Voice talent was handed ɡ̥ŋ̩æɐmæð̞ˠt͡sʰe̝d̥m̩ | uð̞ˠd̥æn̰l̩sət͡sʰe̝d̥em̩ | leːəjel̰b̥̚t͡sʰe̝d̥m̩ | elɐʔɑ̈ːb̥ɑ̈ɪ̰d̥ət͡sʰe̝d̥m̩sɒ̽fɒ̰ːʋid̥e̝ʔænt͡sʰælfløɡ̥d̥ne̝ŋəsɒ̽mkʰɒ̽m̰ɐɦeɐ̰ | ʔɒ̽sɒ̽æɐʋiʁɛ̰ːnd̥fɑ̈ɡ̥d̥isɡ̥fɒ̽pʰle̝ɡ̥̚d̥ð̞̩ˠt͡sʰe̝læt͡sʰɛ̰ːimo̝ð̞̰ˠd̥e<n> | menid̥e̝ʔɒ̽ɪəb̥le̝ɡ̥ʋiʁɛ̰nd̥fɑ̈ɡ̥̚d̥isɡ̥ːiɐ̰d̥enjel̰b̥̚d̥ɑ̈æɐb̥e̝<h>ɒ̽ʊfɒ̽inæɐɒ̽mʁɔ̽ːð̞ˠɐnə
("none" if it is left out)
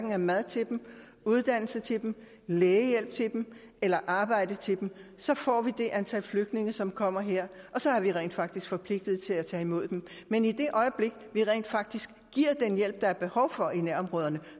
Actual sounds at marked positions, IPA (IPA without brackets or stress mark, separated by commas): m, h